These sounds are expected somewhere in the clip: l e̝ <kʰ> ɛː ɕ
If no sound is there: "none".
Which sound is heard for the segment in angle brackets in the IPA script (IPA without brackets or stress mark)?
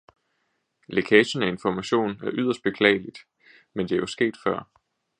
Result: kʰ